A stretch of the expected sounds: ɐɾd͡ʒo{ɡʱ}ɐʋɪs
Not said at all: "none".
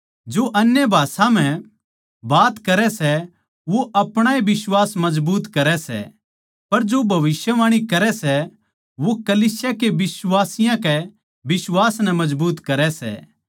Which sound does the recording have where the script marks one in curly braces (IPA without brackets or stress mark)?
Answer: bʱ